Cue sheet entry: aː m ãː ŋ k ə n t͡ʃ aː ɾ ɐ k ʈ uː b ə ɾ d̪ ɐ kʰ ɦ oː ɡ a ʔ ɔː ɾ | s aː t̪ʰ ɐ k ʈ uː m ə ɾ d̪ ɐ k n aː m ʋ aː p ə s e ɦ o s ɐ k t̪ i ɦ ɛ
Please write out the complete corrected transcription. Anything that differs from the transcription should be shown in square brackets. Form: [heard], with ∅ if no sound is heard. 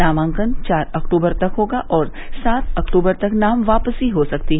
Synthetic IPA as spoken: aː m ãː ŋ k ə n t͡ʃ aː ɾ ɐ k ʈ uː b ə ɾ [t̪] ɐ [k] ɦ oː ɡ a ʔ ɔː ɾ | s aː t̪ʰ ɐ k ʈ uː [b] ə ɾ [t̪] ɐ k n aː m ʋ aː p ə s [i] ɦ o s ɐ k t̪ i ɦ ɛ